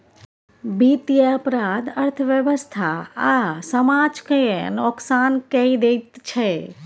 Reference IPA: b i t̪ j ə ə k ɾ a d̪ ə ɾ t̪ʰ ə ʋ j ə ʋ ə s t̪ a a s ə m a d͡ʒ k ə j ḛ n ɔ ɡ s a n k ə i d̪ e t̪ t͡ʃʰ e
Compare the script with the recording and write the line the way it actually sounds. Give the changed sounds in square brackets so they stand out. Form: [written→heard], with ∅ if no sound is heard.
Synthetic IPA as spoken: b i t̪ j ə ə [k→p] ɾ a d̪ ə ɾ t̪ʰ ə ʋ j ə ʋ ə s [t̪→t̪ʰ] a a s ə m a d͡ʒ k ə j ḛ n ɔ [ɡ→k] s a n k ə i d̪ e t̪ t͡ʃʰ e